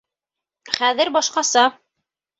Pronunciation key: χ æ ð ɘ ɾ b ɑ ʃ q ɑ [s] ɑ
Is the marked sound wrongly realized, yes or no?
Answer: no